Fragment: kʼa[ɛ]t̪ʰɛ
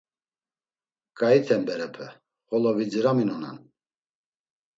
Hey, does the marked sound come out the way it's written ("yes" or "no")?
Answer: no